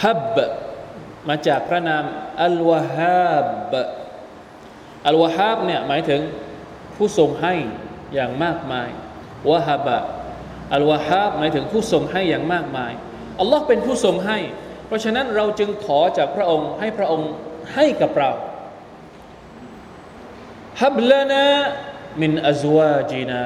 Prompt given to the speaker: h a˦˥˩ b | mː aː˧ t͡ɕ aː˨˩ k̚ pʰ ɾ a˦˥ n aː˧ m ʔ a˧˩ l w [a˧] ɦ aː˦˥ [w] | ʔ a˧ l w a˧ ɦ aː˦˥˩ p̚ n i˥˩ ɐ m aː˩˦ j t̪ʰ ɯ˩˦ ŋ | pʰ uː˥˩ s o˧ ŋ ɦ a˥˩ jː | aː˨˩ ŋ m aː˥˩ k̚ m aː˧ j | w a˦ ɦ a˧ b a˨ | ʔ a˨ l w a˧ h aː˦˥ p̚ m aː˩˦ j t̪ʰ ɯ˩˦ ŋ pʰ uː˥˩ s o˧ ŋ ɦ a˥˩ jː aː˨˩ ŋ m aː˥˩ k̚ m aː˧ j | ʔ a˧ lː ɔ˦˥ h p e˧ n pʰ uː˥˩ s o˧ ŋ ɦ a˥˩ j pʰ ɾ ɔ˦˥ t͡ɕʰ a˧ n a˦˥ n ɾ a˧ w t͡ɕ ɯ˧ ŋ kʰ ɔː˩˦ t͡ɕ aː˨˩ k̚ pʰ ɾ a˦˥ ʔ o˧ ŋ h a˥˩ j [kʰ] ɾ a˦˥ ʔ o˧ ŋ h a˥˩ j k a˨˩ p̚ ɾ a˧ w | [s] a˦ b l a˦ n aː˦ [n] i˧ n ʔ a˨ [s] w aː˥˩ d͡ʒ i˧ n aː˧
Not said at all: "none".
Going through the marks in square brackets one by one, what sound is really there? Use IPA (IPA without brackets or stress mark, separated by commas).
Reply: a˧, b, pʰ, h, m, z